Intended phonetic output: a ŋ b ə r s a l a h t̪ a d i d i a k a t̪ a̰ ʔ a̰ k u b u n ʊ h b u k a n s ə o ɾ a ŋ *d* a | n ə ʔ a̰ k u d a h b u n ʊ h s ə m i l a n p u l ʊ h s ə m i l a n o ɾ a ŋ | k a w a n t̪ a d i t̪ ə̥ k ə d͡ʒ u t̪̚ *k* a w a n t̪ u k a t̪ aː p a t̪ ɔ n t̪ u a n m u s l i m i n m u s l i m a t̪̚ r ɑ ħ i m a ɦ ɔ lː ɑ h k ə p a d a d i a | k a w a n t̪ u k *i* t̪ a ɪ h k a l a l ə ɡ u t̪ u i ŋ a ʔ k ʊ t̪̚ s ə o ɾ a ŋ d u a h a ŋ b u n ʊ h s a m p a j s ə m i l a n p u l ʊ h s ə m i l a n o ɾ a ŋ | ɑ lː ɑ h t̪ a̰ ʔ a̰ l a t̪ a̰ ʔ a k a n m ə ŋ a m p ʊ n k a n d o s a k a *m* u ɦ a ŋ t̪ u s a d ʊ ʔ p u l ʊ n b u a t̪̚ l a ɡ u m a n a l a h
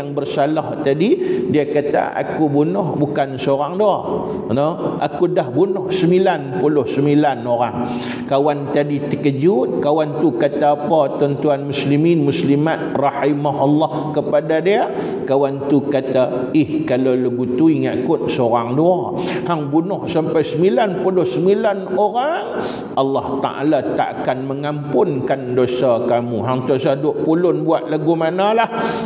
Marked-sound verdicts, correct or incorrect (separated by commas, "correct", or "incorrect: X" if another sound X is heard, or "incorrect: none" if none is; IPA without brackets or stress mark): correct, correct, incorrect: a, correct